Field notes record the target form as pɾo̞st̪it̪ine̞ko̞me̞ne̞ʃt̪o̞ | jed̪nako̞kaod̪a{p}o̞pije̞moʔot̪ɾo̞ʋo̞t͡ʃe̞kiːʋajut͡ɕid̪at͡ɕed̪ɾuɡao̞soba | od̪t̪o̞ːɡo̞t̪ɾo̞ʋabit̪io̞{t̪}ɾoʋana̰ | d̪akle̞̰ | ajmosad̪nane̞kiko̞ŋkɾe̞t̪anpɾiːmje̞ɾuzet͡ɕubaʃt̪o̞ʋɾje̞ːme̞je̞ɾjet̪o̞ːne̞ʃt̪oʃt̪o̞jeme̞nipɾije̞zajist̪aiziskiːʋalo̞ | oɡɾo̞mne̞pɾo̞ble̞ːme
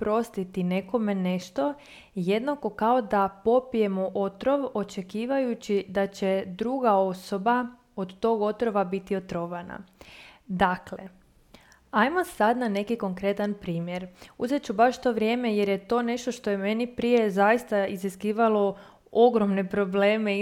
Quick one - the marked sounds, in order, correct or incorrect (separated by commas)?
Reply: correct, correct